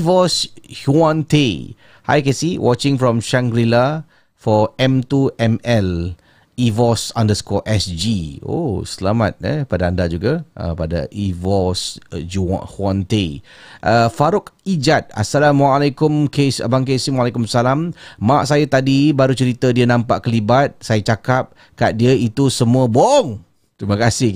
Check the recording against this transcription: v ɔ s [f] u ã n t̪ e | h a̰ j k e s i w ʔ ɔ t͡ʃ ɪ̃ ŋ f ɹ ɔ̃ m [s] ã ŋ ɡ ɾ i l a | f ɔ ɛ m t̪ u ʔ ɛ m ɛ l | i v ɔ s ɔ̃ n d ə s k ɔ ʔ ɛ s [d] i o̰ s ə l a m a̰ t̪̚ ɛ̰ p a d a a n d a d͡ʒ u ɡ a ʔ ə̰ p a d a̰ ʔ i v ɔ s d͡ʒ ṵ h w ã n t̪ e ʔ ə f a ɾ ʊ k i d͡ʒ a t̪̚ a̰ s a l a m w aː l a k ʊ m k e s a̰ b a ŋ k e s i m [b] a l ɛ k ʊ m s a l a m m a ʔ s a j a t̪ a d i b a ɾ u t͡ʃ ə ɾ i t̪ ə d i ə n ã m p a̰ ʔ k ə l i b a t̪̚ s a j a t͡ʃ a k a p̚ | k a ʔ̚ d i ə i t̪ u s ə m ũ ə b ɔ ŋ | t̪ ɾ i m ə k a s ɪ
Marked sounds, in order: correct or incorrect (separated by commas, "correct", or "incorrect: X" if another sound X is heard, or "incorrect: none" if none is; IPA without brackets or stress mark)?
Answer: incorrect: h, incorrect: ʃ, incorrect: d͡ʒ, incorrect: w